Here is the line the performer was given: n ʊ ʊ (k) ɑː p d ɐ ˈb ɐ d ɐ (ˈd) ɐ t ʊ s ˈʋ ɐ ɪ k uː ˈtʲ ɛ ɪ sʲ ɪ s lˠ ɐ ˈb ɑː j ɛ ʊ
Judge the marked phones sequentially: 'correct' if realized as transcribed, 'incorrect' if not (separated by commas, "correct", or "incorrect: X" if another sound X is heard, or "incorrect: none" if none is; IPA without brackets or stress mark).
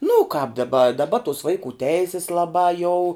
correct, incorrect: b